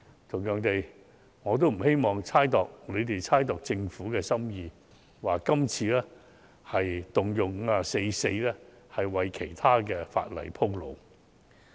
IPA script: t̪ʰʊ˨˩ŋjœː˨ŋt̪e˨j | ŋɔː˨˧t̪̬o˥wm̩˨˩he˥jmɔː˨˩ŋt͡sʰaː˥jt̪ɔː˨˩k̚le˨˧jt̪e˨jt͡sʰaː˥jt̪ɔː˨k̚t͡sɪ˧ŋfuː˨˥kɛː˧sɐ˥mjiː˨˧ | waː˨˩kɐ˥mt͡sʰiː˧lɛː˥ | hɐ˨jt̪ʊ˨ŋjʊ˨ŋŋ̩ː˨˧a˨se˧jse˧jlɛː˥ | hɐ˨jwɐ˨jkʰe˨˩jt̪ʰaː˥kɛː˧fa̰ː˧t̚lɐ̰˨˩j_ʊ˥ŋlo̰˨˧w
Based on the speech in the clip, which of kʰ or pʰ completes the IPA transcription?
pʰ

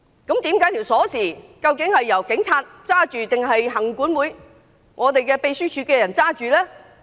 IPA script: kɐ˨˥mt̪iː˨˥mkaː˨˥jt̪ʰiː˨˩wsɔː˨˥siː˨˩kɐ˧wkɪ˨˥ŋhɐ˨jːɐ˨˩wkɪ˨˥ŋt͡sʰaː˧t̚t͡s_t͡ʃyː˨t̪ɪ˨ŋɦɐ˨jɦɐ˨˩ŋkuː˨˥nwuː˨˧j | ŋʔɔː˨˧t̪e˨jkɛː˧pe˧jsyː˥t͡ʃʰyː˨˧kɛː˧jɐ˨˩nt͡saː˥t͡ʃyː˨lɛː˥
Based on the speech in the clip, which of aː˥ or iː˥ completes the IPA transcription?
aː˥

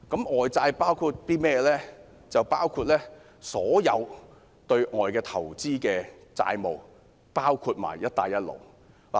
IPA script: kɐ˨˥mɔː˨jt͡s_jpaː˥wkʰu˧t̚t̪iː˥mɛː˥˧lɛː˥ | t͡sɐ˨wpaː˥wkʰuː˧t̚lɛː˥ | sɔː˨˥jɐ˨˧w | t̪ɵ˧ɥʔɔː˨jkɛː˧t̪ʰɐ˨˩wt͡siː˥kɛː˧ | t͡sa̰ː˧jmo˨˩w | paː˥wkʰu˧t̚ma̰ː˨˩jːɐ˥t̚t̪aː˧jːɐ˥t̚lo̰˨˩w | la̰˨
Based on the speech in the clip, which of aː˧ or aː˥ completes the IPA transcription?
aː˧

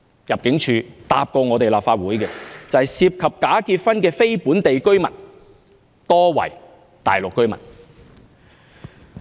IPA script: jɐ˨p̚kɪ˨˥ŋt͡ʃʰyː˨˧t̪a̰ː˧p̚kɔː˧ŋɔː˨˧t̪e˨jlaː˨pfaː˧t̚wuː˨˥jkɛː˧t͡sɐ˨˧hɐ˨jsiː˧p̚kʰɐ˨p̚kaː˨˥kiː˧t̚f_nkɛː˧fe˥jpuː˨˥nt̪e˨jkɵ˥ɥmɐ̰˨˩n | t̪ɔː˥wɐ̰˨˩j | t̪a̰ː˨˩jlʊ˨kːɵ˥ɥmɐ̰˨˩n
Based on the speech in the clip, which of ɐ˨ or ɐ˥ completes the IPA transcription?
ɐ˥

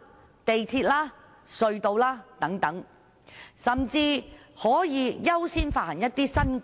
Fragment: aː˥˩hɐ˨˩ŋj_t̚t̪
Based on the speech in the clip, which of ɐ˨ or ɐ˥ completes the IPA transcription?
ɐ˥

